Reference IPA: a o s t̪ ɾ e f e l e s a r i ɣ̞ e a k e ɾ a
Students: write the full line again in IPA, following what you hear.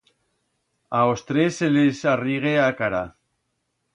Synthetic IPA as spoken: a o s t̪ ɾ e s e l e s a r i ɣ̞ e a k a ɾ a